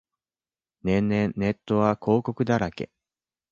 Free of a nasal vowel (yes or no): no